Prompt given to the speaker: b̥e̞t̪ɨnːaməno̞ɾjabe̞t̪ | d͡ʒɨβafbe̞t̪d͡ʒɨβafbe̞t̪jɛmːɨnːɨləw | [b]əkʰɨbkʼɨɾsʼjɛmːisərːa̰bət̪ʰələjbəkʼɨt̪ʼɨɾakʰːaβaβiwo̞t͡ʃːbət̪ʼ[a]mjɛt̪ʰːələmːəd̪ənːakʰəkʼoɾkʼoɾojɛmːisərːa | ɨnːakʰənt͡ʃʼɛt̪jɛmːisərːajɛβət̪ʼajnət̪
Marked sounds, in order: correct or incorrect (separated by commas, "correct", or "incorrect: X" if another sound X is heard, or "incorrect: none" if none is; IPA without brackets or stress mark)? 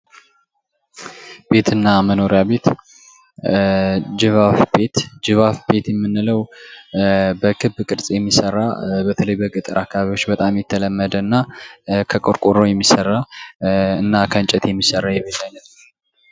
correct, correct